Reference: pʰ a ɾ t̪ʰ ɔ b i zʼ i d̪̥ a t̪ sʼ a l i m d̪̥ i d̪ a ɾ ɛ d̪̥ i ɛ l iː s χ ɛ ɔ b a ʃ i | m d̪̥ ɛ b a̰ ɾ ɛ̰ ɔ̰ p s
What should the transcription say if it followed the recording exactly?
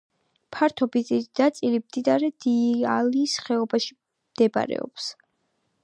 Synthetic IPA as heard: pʰ a ɾ t̪ʰ ɔ b i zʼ i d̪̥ a t̪ sʼ i l i m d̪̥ i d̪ a ɾ ɛ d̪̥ i a l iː s χ ɛ ɔ b a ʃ i | m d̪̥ ɛ b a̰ ɾ ɛ̰ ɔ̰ p s